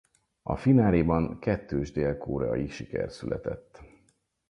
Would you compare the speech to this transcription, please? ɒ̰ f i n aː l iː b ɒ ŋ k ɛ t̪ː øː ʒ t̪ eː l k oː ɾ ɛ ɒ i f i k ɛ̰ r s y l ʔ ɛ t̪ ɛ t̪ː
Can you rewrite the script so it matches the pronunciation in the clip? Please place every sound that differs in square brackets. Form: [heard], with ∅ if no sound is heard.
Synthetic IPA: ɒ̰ f i n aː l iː b ɒ ŋ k ɛ t̪ː øː ʒ [d̪] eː l k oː ɾ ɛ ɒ i [ʃ] i k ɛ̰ r s y l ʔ ɛ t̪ ɛ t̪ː